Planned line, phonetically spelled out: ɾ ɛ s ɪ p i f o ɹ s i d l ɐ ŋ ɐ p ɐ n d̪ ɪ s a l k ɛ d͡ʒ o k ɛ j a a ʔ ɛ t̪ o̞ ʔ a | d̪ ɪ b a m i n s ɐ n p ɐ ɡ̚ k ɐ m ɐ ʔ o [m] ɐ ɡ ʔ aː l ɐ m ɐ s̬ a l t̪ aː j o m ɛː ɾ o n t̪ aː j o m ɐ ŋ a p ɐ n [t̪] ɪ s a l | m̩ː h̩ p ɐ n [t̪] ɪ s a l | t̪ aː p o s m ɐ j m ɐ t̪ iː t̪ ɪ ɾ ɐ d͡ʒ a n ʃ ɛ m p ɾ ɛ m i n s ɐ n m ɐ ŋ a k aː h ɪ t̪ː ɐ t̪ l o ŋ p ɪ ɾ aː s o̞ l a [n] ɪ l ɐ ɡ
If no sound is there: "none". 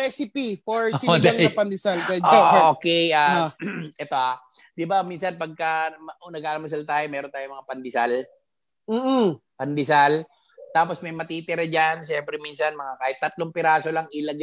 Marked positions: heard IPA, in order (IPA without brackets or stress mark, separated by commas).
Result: n, d̪, d̪, ŋ